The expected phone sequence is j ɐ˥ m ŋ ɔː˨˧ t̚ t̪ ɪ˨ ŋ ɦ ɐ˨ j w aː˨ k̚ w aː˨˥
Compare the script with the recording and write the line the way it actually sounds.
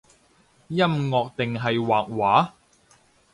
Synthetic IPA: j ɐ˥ m ŋ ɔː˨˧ k̚ t̪ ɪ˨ ŋ ɦ ɐ˨ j w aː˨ k̚ w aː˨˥